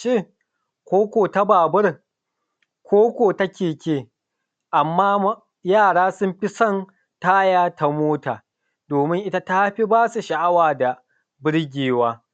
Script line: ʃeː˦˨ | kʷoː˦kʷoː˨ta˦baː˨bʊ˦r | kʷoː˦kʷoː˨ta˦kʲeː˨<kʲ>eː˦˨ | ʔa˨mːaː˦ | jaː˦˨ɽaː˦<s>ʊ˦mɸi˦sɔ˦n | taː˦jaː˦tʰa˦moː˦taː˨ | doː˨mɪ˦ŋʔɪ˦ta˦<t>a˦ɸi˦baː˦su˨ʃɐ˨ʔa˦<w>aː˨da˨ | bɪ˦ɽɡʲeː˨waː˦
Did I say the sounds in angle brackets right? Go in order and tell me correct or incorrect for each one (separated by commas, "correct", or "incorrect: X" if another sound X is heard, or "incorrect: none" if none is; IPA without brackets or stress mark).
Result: correct, correct, correct, correct